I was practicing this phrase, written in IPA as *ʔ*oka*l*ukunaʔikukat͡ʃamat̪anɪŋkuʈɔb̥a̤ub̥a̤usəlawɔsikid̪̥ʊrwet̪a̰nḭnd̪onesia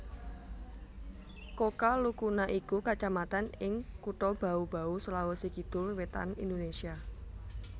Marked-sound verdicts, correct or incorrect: incorrect: k, correct

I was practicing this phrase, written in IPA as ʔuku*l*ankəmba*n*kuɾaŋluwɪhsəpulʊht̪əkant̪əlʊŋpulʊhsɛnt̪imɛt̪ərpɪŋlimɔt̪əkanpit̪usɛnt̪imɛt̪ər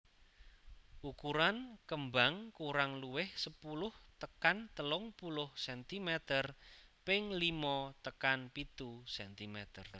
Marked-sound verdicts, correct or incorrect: incorrect: ɾ, incorrect: ŋ

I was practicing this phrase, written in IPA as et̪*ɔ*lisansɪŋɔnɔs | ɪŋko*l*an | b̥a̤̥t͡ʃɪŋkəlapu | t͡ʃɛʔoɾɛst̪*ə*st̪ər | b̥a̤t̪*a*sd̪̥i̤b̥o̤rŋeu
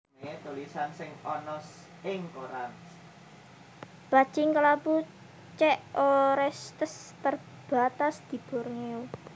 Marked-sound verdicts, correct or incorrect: incorrect: u, incorrect: ɾ, correct, correct

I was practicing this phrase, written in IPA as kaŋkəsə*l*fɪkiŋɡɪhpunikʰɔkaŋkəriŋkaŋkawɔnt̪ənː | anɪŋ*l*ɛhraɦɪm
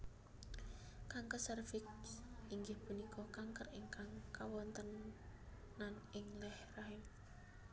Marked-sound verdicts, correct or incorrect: incorrect: r, correct

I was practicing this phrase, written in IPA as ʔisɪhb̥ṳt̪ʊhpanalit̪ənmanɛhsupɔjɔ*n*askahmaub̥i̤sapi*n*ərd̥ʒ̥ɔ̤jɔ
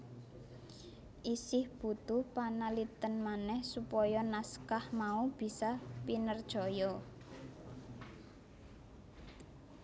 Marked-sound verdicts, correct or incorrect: correct, correct

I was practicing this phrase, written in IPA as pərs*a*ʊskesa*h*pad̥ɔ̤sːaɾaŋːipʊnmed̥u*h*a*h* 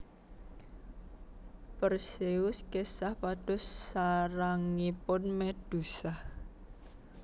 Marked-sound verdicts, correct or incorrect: incorrect: e, correct, incorrect: s, correct

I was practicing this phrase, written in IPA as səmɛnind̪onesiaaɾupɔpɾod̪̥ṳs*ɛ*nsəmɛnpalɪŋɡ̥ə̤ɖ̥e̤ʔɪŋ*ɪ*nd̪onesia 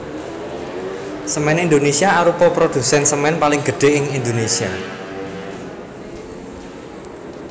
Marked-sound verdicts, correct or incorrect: correct, incorrect: i

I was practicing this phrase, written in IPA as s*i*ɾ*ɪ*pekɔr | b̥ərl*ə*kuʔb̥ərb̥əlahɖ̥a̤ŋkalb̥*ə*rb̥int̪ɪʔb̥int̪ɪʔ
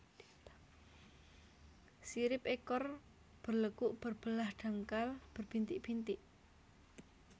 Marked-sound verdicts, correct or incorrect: correct, correct, correct, correct

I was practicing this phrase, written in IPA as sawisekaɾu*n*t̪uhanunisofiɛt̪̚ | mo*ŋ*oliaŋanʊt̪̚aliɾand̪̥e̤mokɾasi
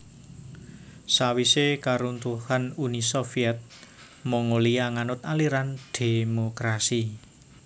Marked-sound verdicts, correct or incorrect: correct, correct

